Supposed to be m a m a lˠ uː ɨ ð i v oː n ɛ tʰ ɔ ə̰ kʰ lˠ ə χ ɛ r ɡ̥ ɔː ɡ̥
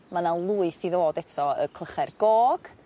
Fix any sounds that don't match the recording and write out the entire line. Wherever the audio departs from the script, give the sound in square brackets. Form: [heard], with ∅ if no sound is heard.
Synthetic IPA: m a [n] a lˠ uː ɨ [θ] i [ð] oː [d] ɛ tʰ ɔ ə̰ kʰ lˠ ə χ ɛ r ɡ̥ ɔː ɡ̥